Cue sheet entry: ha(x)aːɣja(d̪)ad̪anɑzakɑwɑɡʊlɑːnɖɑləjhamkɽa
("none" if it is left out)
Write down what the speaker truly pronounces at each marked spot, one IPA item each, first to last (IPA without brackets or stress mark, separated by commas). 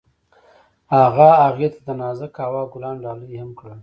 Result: ɣ, t̪